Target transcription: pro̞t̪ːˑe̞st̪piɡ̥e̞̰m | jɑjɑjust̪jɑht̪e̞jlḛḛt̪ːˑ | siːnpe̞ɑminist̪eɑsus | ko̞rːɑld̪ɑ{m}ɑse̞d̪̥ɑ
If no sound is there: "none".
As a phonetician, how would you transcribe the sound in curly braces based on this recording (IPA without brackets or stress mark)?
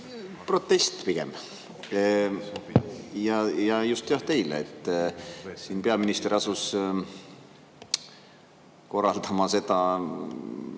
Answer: m